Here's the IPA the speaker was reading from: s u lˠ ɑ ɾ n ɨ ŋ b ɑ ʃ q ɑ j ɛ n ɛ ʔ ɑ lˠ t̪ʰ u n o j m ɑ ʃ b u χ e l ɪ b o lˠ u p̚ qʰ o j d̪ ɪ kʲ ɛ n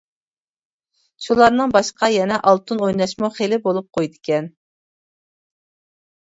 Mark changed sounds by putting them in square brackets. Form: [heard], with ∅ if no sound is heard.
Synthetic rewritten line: [ʃ] u lˠ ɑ ɾ n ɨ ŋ b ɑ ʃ q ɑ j ɛ n ɛ ʔ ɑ lˠ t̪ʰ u n o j [n] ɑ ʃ [m] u χ e l ɪ b o lˠ u p̚ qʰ o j d̪ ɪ kʲ ɛ n

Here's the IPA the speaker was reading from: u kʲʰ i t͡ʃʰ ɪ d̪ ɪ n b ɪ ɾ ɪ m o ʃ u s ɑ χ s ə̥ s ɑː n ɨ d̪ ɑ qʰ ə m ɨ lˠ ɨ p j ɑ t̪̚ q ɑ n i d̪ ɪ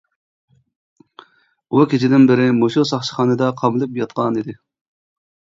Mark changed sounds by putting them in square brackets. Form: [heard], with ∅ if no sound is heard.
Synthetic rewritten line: u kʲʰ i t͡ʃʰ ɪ d̪ ɪ n b ɪ ɾ ɪ m o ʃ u s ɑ χ [ʃ] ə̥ [χ] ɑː n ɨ d̪ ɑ qʰ [ɑ] m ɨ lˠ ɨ p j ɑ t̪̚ q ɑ n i d̪ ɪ

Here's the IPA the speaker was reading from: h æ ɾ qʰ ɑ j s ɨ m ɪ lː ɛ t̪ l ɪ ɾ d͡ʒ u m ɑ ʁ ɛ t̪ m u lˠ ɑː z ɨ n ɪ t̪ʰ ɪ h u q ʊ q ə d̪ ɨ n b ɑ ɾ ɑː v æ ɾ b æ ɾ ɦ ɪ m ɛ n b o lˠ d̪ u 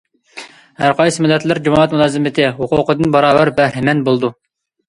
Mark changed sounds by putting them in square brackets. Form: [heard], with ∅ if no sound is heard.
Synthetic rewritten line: h æ ɾ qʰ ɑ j s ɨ m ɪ lː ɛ t̪ l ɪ ɾ d͡ʒ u m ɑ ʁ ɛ t̪ m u lˠ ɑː z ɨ [m] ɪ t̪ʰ ɪ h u q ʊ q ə d̪ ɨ n b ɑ ɾ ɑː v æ ɾ b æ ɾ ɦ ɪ m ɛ n b o lˠ d̪ u

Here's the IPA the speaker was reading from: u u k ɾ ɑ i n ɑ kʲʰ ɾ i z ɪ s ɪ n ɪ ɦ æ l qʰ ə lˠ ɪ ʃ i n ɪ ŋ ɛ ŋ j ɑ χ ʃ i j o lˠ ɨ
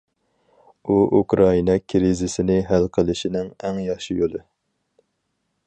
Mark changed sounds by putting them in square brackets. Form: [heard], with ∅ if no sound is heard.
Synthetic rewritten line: u u k ɾ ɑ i n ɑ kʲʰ ɾ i z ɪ s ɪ n ɪ ɦ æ l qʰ ə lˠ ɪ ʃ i n ɪ ŋ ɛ ŋ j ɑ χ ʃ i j o lˠ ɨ

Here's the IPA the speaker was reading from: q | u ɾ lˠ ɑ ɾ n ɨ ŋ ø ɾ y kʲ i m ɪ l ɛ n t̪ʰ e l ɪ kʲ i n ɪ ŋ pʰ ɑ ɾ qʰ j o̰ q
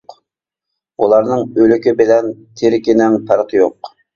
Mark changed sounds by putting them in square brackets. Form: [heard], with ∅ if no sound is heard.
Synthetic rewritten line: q | u [∅] lˠ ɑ ɾ n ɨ ŋ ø [l] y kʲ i [b] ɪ l ɛ n t̪ʰ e [ɾ] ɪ kʲ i n ɪ ŋ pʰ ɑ ɾ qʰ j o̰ q

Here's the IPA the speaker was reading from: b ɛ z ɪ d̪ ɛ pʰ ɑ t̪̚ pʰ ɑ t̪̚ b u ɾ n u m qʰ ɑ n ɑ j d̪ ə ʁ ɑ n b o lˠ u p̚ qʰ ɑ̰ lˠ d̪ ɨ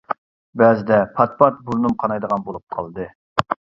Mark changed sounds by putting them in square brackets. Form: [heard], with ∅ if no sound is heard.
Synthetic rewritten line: b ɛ z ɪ d̪ ɛ pʰ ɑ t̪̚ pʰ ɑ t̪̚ b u ɾ n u m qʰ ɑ n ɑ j d̪ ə ʁ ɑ n b o lˠ u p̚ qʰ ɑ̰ lˠ d̪ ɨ

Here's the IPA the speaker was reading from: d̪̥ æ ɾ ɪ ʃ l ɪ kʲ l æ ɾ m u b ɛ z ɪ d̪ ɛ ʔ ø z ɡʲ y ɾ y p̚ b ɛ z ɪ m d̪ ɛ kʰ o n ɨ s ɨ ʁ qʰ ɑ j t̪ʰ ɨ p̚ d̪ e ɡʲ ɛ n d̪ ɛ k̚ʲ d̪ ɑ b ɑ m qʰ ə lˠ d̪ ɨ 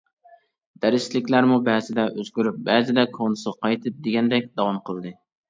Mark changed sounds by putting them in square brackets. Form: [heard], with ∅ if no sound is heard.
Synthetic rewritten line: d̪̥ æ ɾ ɪ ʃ l ɪ kʲ l æ ɾ m u b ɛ z ɪ d̪ ɛ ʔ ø z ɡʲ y ɾ y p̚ b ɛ z ɪ [∅] d̪ ɛ kʰ o n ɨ s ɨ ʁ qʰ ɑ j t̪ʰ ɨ p̚ d̪ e ɡʲ ɛ n d̪ ɛ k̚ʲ d̪ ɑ [w] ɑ m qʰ ə lˠ d̪ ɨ

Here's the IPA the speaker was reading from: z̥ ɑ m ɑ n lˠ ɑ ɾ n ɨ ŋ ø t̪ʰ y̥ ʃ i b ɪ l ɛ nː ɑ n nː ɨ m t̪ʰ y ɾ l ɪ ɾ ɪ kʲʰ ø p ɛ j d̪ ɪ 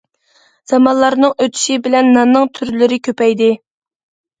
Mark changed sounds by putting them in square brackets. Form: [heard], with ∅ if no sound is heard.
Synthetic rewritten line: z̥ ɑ m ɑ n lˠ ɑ ɾ n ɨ ŋ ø t̪ʰ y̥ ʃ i b ɪ l ɛ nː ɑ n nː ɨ [ŋ] t̪ʰ y ɾ l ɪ ɾ ɪ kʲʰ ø p ɛ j d̪ ɪ

